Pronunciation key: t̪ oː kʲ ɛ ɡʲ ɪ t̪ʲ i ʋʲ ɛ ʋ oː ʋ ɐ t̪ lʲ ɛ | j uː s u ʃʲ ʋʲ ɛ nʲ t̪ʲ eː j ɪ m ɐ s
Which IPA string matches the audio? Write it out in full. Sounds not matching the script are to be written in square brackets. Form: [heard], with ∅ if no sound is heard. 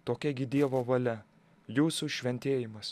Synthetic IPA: t̪ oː kʲ ɛ ɡʲ ɪ [d̪ʲ] i [∅] ɛ ʋ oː ʋ ɐ [∅] lʲ ɛ | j uː s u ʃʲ ʋʲ ɛ nʲ t̪ʲ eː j ɪ m ɐ s